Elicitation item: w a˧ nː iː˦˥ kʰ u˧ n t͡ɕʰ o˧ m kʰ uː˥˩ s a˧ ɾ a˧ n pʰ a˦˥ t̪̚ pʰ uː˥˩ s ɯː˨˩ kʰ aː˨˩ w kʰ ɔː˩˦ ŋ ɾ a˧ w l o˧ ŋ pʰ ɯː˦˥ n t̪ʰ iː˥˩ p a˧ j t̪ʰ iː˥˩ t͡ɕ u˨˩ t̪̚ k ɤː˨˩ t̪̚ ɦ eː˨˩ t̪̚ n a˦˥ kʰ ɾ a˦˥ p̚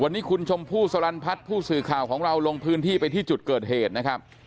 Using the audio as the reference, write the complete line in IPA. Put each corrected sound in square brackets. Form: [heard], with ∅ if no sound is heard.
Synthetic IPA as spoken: w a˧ nː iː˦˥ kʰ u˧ n t͡ɕʰ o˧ m [pʰ] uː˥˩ s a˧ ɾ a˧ n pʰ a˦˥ t̪̚ pʰ uː˥˩ s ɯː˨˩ kʰ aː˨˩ w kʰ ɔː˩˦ ŋ ɾ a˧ w l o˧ ŋ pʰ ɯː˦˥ n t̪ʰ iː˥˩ p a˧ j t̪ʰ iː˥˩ t͡ɕ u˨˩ t̪̚ k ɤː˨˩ t̪̚ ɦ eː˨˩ t̪̚ n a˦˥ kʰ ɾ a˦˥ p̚